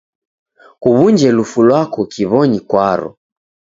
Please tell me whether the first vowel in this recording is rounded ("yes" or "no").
yes